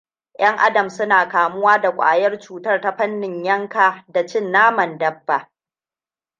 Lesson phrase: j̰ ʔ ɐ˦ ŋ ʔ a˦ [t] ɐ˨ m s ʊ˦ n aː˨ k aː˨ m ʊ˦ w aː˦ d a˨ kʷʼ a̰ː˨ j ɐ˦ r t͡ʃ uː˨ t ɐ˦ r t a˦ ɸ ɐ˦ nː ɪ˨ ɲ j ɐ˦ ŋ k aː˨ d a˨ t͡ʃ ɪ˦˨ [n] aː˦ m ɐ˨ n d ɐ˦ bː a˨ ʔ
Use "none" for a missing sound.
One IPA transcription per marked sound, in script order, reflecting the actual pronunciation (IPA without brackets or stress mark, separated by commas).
d, nː